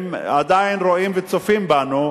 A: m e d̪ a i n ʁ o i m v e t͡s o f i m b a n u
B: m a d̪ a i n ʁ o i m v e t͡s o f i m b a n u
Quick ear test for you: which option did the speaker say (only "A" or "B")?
B